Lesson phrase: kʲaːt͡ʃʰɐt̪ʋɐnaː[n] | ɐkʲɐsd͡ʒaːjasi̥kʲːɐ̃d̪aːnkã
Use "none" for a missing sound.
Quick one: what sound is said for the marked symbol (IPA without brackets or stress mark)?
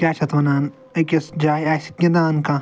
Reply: n